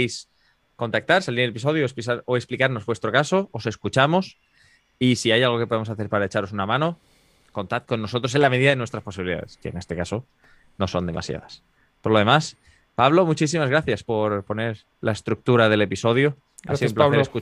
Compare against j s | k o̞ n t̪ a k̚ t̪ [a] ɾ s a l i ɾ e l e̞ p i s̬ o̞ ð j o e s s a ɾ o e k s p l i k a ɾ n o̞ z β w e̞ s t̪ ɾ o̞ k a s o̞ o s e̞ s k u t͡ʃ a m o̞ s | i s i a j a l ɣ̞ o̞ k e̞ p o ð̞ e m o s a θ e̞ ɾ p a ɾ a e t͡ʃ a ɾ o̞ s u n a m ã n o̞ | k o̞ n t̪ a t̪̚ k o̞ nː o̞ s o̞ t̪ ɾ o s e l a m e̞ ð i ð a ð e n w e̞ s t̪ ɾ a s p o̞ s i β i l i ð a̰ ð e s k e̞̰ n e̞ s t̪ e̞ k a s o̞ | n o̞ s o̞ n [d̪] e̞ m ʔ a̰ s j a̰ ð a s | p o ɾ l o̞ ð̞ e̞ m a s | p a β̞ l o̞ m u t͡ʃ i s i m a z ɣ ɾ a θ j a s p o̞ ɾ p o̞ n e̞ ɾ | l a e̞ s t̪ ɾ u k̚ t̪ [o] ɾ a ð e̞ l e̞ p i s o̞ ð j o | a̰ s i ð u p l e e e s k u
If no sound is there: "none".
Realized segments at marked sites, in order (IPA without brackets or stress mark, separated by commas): a, d̪, u